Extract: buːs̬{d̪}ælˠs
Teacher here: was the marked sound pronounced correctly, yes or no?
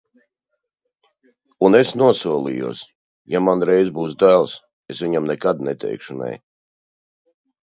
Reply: yes